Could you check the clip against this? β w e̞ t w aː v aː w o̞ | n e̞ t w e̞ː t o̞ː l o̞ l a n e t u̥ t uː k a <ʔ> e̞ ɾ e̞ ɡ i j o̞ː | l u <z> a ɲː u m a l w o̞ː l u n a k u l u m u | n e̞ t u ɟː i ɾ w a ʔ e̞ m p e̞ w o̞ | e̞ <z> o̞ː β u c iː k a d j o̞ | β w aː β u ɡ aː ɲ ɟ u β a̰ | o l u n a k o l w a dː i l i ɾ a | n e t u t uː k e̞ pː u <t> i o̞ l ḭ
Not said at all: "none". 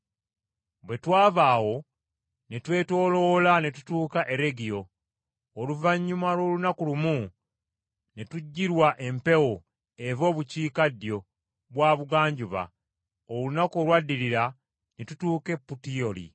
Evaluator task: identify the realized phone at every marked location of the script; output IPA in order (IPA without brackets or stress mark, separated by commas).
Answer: ʔ, v, v, t